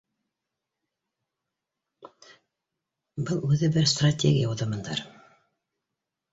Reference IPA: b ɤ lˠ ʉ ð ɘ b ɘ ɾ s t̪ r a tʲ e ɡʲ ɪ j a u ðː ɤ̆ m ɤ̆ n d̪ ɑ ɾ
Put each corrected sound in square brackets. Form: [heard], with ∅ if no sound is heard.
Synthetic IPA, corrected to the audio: b ɤ lˠ ʉ ð ɘ b ɘ ɾ s t̪ r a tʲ e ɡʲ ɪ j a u [ð] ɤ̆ m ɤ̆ n d̪ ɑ ɾ